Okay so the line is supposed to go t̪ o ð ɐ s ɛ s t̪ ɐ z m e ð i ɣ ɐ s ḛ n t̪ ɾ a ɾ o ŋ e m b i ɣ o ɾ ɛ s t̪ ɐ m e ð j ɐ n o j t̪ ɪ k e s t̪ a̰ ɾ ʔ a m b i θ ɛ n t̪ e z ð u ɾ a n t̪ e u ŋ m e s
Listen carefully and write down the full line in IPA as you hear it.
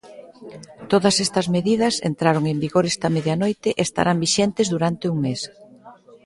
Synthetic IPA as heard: t̪ o ð ɐ s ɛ s t̪ ɐ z m e ð i ð ɐ s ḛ n t̪ ɾ a ɾ o ŋ e m b i ɣ o ɾ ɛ s t̪ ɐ m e ð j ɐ n o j t̪ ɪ ʔ e s t̪ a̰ ɾ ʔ a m b i ʃ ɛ n t̪ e z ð u ɾ a n t̪ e u ŋ m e s